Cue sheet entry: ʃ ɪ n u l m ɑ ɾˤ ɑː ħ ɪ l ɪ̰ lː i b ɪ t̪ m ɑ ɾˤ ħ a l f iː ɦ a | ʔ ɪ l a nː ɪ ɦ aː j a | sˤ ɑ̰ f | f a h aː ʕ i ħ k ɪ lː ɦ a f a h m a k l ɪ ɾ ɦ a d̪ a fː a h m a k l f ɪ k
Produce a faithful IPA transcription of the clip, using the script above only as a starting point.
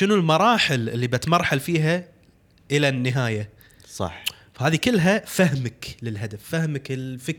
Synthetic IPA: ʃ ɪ n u l m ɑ ɾˤ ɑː ħ ɪ l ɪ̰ lː i b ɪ t̪ m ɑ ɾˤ ħ a l f iː ɦ a | ʔ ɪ l a nː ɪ ɦ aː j a | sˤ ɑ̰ ħ | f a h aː ð i k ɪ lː ɦ a f a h m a k l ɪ l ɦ a d̪ a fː a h m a k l f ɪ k